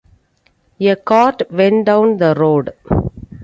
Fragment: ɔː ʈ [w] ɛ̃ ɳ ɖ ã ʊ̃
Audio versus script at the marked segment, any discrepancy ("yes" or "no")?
yes